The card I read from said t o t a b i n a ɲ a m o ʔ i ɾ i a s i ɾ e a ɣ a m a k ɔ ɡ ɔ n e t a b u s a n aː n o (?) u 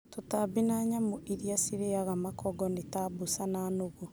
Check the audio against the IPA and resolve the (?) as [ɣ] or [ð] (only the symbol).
ɣ